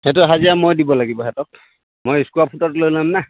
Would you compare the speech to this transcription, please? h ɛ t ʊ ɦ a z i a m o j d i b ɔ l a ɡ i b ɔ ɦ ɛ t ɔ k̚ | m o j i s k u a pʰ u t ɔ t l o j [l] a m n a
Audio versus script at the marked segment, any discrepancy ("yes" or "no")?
no